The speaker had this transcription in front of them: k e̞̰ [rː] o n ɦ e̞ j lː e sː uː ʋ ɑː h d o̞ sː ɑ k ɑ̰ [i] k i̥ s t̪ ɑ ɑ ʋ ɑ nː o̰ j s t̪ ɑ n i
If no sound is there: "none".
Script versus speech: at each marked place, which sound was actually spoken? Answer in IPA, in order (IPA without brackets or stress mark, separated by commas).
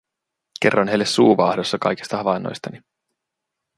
rː, j